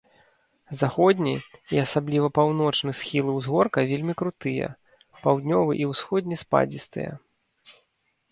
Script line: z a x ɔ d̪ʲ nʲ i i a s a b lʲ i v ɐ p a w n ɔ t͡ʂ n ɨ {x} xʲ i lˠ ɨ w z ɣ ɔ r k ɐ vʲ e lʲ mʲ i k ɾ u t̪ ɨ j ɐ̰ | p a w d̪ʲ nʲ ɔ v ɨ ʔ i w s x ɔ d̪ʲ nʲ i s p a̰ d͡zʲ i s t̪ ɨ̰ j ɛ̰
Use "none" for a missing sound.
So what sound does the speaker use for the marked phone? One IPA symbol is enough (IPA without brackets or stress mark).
s